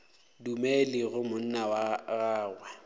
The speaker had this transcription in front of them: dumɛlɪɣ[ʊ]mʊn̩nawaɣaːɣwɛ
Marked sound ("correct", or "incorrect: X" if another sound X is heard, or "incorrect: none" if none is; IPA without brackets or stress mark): correct